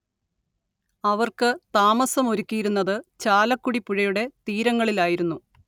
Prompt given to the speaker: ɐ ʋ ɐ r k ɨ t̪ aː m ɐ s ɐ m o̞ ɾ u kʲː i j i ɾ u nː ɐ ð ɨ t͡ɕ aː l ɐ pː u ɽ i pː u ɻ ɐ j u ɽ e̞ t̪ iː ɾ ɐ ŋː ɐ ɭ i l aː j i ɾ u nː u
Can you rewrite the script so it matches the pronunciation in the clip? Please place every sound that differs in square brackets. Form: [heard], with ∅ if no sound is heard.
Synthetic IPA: ɐ ʋ ɐ r k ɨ t̪ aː m ɐ s ɐ m o̞ ɾ u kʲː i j i ɾ u nː ɐ ð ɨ t͡ɕ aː l ɐ [kː] u ɽ i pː u ɻ ɐ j u ɽ e̞ t̪ iː ɾ ɐ ŋː ɐ ɭ i l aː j i ɾ u nː u